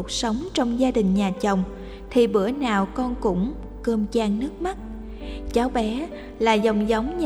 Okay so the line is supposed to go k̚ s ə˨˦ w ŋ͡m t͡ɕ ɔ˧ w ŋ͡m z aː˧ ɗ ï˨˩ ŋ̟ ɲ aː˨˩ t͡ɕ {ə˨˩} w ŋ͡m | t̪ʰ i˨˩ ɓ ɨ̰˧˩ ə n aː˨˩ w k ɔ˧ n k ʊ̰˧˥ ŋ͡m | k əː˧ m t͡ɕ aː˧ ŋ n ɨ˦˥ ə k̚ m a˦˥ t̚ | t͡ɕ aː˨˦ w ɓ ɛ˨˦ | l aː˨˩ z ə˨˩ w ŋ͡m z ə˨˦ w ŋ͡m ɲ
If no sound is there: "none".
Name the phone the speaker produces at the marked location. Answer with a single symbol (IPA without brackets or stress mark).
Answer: ə˨˩